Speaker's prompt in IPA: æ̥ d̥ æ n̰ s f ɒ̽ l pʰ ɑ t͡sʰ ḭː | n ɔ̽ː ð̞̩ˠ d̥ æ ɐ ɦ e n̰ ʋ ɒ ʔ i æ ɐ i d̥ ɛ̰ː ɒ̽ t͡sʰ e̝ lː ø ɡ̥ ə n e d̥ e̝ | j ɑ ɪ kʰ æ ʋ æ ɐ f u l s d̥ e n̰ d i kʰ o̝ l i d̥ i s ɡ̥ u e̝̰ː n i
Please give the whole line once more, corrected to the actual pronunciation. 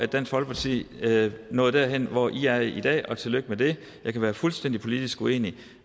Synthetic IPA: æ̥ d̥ æ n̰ s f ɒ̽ l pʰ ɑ t͡sʰ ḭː | n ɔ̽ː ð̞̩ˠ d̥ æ ɐ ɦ e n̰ ʋ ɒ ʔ i æ ɐ i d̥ ɛ̰ː ɒ̽ t͡sʰ e̝ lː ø ɡ̥ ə m e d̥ e̝ | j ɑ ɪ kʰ æ ʋ æː ɐ f u l s d̥ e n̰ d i pʰ o̝ l i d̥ i s ɡ̥ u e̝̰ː n i